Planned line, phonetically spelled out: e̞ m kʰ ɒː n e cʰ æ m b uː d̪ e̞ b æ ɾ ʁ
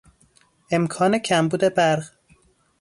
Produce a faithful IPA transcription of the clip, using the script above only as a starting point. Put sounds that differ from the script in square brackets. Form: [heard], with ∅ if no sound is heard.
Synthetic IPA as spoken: e̞ m kʰ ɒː n e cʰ æ m b uː d̪ e̞ b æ ɾ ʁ